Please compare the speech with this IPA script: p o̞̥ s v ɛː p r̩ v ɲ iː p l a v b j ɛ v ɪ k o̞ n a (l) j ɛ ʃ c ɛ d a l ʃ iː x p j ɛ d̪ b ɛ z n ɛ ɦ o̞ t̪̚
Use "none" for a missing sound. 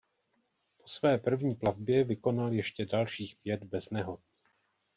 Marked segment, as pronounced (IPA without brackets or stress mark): l